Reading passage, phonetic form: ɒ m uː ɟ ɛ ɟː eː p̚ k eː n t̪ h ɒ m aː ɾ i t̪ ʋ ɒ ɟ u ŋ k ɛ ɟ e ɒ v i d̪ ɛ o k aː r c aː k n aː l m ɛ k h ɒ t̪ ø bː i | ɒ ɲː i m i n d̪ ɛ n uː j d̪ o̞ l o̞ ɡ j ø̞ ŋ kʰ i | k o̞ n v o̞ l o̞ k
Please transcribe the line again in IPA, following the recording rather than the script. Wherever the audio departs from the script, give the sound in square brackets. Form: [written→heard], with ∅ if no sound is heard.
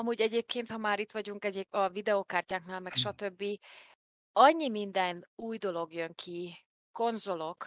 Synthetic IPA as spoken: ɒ m uː ɟ ɛ [ɟː→ɟ] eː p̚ k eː n t̪ h ɒ m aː ɾ i t̪ ʋ ɒ ɟ u ŋ k ɛ ɟ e ɒ v i d̪ ɛ o k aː r c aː k n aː l m ɛ k [h→ʃ] ɒ t̪ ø bː i | ɒ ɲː i m i n d̪ ɛ n uː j d̪ o̞ l o̞ ɡ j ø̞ ŋ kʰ i | k o̞ n [v→z] o̞ l o̞ k